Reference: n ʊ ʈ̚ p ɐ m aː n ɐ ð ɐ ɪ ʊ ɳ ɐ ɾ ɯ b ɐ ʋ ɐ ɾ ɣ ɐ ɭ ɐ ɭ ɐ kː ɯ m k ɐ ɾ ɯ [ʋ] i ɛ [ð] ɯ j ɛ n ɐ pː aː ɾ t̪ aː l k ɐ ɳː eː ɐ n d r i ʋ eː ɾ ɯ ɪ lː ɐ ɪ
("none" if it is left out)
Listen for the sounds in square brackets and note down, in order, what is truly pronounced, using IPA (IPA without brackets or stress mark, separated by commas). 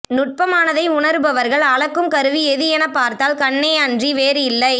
ʋ, ð